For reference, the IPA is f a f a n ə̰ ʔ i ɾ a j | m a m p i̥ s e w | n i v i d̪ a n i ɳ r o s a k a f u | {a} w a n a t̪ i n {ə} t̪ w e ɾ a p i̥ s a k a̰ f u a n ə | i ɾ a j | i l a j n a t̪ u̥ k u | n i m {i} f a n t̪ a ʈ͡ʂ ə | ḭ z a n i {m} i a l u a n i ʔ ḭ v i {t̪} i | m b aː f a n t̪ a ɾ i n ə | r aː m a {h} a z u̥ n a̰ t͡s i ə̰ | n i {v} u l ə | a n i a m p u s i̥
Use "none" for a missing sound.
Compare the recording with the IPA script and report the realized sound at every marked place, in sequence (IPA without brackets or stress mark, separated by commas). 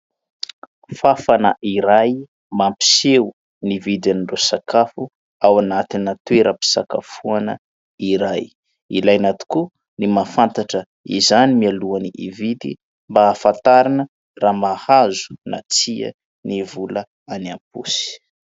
a, a, a, m, d̪, h, v